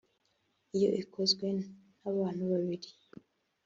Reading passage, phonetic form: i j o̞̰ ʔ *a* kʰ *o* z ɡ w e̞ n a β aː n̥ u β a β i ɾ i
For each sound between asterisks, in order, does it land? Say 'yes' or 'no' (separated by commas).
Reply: no, yes